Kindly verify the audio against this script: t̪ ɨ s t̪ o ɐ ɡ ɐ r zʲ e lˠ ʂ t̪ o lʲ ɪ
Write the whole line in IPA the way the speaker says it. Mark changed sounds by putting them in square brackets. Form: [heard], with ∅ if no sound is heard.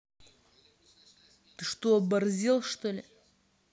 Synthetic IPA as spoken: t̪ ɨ [ʂ] t̪ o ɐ [b] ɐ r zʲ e lˠ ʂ t̪ o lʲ ɪ